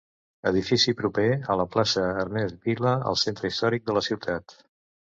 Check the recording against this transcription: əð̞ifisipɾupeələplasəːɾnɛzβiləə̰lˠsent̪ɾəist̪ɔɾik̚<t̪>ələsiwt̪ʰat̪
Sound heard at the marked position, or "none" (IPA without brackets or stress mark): d̪